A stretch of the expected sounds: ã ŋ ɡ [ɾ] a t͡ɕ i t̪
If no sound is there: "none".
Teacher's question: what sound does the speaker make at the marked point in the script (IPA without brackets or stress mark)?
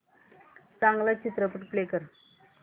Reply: l